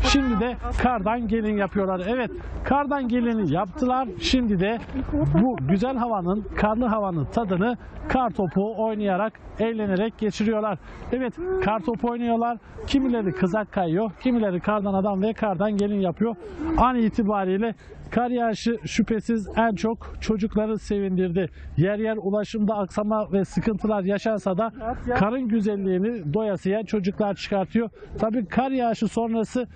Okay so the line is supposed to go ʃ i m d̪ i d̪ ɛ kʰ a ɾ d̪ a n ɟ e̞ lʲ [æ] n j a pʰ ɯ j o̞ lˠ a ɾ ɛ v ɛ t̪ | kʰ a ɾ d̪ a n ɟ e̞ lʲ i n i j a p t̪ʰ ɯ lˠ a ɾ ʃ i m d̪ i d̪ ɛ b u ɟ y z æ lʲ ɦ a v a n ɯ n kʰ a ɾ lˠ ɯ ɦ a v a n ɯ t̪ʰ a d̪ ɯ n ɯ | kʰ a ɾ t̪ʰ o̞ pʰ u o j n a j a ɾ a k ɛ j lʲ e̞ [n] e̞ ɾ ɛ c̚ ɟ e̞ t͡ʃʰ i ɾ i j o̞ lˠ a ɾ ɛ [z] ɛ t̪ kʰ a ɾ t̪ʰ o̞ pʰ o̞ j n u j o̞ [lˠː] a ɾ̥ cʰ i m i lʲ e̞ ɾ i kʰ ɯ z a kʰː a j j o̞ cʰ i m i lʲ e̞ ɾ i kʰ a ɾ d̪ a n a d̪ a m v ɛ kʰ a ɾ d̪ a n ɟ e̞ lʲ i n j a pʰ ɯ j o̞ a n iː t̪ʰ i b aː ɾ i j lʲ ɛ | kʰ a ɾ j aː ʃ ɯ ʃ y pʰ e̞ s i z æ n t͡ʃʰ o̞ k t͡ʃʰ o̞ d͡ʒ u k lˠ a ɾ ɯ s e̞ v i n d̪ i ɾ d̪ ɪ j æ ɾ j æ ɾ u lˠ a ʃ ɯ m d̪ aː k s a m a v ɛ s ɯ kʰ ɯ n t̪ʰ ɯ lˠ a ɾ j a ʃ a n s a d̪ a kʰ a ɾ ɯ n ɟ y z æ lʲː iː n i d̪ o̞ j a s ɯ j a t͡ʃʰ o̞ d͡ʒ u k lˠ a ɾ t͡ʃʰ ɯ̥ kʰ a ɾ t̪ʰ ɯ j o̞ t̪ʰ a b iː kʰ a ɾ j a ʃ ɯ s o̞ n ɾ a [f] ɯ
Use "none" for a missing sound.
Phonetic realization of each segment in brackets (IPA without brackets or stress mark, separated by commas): i, n, v, lˠ, s